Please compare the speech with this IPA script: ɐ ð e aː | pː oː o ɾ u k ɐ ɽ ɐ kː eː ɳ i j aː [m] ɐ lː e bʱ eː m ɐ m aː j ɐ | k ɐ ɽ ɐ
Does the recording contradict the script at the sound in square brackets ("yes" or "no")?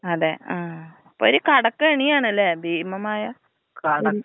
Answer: yes